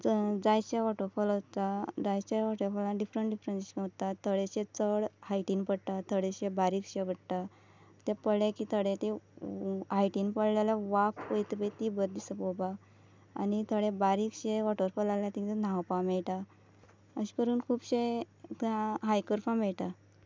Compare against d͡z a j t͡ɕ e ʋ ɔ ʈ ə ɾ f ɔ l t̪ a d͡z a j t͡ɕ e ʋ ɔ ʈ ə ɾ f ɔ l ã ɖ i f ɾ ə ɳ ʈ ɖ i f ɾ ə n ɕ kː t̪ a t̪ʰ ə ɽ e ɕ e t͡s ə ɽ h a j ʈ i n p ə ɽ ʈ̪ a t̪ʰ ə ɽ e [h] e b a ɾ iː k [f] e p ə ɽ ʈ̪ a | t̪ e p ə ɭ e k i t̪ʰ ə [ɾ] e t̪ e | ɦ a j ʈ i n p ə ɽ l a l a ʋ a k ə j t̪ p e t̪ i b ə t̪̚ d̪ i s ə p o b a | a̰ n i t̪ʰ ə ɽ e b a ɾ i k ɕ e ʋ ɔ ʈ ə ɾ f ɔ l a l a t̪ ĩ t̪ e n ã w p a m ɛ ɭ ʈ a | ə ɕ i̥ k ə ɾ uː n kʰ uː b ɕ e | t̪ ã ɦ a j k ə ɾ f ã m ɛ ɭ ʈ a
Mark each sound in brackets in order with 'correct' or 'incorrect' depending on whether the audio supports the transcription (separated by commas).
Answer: incorrect, incorrect, incorrect